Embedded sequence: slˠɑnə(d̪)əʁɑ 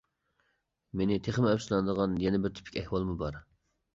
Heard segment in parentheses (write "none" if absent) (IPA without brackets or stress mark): d̪